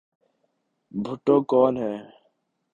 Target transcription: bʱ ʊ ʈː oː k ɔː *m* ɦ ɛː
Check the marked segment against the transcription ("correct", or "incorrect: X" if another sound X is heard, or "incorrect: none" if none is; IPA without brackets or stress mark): incorrect: n